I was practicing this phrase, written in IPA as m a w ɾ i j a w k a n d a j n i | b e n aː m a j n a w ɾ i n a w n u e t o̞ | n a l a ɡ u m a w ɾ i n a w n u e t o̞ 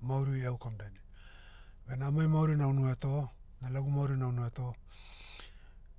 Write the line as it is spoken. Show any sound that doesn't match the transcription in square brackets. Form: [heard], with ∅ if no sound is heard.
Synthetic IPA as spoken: m a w ɾ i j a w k a [m] d a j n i | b e n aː m a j [m] a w ɾ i n a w n u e t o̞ | n a l a ɡ u m a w ɾ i n a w n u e t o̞